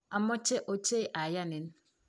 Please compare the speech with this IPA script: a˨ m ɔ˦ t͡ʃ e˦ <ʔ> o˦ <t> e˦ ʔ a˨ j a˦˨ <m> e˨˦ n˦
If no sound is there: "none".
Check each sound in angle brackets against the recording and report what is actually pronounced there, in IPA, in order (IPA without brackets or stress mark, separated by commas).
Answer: ʔ, t͡ʃ, n